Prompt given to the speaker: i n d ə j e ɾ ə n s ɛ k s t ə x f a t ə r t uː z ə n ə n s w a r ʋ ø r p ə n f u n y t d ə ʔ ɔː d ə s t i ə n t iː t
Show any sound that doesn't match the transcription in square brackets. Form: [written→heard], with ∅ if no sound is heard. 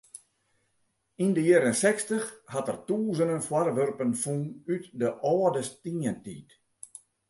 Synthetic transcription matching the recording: i n d ə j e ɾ ə n s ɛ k s t ə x [f→h] a t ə r t uː z ə n ə n [s→f] w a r ʋ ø r p ə n f u n y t d ə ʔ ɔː d ə s t i ə n t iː t